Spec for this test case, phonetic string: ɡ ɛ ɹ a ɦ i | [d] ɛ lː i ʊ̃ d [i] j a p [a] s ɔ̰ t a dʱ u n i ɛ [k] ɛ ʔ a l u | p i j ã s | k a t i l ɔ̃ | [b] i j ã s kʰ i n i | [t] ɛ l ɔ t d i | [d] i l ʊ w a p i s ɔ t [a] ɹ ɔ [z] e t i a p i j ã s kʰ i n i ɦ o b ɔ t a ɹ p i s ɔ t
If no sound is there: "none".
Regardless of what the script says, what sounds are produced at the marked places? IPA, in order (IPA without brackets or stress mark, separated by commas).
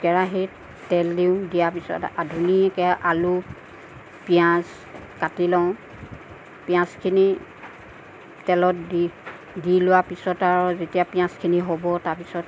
t, i, i, k, p, t, d, a, z